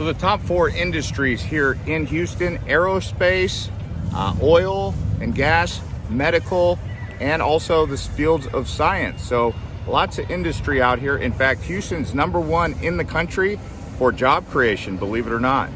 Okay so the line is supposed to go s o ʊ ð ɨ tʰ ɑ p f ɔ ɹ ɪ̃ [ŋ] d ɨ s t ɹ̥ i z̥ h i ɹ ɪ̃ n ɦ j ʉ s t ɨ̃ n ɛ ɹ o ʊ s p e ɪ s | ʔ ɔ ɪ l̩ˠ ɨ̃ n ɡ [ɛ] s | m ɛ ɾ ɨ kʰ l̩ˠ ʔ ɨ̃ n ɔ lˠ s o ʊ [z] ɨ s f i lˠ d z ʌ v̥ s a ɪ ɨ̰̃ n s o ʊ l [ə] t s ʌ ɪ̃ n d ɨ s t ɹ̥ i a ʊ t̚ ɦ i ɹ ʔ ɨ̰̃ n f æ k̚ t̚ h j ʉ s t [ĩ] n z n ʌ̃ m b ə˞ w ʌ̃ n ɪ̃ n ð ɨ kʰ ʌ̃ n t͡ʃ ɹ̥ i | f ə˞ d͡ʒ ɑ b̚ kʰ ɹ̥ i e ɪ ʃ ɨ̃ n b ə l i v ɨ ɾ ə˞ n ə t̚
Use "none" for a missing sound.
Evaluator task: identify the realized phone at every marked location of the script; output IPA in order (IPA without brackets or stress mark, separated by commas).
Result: n, æ, ð, ɑ, ɨ̃